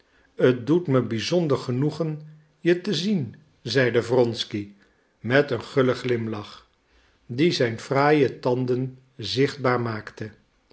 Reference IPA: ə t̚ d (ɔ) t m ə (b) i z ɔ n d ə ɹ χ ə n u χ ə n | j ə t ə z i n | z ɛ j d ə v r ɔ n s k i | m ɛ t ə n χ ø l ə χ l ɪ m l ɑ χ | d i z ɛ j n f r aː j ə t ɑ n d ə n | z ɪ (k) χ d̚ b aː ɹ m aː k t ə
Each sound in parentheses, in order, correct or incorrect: incorrect: u, correct, incorrect: none

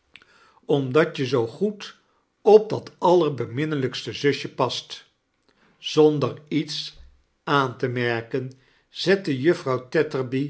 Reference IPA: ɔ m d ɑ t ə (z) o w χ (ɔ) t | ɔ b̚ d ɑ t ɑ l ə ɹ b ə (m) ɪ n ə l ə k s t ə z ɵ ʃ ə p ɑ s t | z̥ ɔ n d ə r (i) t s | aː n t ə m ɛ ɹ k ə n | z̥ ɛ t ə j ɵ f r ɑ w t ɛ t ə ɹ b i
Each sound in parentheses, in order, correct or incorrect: correct, incorrect: u, correct, correct

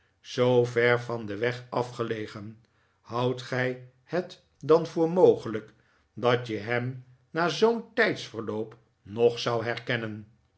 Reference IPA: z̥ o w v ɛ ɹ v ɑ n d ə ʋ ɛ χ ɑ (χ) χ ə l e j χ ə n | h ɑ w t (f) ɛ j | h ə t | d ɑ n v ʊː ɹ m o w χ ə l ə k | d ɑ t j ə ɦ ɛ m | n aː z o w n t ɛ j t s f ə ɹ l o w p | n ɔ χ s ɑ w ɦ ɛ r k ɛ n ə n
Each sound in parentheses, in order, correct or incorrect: incorrect: f, incorrect: χ

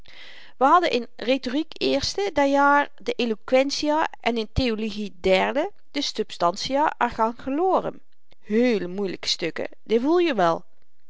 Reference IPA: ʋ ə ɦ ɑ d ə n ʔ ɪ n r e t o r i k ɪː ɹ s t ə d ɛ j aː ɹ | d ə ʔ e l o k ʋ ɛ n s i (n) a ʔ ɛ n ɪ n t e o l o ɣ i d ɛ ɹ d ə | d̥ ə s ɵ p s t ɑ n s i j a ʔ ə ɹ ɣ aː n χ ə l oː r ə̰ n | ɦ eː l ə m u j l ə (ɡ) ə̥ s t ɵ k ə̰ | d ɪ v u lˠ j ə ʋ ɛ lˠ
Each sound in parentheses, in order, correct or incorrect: incorrect: none, incorrect: k

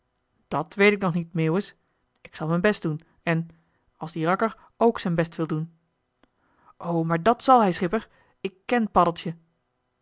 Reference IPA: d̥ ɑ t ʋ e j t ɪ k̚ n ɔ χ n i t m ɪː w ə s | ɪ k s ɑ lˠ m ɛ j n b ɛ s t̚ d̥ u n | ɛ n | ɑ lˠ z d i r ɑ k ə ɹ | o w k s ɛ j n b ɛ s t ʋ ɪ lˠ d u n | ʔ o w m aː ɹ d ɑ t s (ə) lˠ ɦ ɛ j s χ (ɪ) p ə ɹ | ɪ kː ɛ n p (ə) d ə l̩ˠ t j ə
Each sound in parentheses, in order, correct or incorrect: incorrect: ɑ, correct, incorrect: ɑ

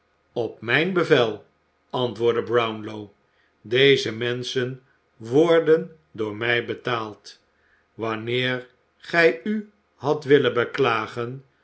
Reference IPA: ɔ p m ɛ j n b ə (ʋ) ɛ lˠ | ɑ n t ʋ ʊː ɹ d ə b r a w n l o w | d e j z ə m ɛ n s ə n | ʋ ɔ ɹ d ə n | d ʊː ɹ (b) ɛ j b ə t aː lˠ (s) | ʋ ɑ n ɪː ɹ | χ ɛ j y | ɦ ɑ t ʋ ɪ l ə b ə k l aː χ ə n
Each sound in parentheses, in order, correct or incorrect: incorrect: v, incorrect: m, incorrect: t

